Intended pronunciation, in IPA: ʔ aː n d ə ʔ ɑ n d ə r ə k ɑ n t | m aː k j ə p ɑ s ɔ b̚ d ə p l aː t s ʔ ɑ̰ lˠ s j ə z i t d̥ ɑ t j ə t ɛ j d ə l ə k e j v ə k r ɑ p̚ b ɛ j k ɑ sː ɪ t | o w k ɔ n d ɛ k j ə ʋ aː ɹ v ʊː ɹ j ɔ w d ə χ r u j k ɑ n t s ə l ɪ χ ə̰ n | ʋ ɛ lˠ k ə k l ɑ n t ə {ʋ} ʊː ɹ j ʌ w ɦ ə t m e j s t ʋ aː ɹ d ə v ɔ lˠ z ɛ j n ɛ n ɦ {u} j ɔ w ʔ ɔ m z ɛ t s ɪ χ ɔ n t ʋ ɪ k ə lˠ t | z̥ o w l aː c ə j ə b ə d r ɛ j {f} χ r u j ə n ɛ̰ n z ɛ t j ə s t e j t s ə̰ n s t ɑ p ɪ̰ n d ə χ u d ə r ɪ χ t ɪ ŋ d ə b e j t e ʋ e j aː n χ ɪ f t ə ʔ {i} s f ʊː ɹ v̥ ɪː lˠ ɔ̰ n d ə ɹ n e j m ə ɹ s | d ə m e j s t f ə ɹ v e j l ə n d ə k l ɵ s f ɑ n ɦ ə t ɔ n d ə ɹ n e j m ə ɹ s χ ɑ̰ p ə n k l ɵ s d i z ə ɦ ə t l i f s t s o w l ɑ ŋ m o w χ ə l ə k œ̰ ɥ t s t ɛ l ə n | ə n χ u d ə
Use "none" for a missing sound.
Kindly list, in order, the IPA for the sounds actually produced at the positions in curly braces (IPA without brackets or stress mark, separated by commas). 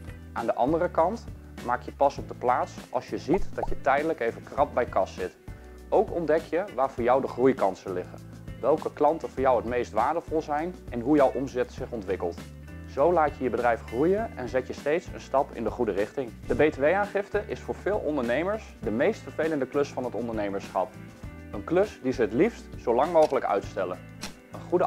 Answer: v, u, f, ɪ